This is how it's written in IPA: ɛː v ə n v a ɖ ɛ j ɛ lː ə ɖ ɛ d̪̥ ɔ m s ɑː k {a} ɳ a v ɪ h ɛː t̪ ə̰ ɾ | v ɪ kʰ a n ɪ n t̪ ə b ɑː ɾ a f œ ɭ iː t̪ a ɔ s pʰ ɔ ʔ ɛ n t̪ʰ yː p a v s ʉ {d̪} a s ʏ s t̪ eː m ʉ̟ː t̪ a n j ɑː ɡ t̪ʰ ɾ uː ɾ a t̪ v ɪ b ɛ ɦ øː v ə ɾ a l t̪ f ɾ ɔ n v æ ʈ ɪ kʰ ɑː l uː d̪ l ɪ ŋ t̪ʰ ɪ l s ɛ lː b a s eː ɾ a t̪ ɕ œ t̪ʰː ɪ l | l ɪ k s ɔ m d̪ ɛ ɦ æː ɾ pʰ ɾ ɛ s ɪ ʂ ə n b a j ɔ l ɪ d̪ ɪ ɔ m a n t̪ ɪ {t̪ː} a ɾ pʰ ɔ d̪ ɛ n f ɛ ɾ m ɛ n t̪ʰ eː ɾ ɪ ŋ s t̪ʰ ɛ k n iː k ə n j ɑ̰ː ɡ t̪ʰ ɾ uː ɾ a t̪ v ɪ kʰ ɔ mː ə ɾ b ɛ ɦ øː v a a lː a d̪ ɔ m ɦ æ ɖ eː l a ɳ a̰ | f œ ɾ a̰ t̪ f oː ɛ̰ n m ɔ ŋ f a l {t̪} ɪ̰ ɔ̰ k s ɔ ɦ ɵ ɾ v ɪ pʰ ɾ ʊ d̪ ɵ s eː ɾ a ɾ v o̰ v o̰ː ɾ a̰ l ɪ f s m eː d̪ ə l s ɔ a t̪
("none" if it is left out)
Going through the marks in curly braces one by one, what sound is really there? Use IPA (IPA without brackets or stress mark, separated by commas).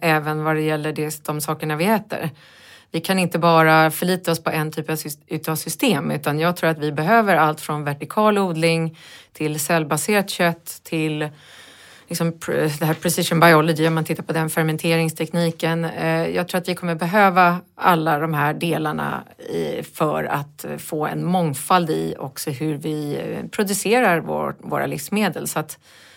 ə, t̪, t̪ː, d̪